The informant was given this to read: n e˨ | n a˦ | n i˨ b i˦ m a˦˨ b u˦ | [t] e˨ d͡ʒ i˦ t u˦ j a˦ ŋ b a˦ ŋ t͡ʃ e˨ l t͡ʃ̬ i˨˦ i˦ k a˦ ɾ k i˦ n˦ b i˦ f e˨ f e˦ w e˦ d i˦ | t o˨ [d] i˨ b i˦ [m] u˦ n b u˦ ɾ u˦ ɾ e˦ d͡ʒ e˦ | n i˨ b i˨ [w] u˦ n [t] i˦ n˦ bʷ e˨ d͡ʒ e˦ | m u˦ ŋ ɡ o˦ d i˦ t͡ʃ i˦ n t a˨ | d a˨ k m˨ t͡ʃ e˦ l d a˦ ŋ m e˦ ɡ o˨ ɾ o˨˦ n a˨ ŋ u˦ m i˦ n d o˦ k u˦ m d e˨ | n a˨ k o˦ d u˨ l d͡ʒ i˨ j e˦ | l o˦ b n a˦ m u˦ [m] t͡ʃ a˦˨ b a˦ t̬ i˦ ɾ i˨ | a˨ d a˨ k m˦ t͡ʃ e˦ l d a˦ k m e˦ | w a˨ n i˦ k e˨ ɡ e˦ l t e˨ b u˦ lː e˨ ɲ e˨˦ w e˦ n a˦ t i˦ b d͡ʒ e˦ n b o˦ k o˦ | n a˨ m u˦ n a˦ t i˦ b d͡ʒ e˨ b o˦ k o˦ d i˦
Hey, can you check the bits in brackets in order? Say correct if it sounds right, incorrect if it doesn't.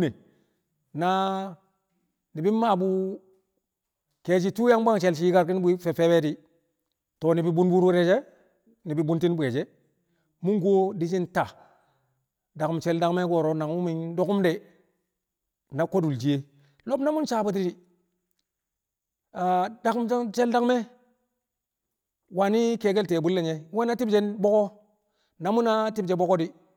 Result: incorrect: k, incorrect: n, incorrect: b, incorrect: b, correct, incorrect: n

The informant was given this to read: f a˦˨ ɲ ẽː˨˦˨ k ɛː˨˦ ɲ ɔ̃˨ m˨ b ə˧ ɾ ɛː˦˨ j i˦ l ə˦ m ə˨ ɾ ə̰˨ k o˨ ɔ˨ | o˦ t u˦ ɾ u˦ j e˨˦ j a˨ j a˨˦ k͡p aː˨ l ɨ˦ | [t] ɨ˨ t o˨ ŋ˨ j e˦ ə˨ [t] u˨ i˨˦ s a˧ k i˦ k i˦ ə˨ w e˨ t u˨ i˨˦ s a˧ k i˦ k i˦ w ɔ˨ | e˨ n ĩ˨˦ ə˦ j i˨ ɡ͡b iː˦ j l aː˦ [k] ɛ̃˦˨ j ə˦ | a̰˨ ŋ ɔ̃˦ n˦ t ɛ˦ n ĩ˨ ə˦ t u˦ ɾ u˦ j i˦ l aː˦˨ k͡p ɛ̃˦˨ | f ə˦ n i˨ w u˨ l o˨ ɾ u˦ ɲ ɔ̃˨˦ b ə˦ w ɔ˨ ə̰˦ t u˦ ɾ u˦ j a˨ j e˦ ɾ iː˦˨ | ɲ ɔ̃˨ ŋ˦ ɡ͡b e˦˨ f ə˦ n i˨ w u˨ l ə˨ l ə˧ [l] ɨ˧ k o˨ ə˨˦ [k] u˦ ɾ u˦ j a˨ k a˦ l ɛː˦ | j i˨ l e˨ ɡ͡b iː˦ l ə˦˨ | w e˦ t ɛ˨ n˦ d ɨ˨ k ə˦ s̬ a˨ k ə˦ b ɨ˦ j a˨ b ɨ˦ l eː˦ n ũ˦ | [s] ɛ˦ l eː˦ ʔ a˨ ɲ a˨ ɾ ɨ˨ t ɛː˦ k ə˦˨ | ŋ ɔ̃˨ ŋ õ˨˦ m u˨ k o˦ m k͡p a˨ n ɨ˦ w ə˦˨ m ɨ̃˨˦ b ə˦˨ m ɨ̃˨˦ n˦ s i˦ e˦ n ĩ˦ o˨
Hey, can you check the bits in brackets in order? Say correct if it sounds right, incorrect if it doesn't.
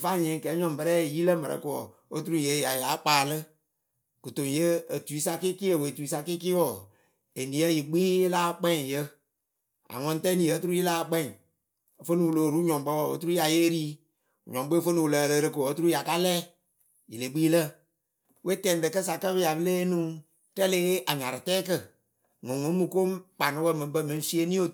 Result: incorrect: k, correct, incorrect: k͡p, incorrect: ɾ, incorrect: t, incorrect: t

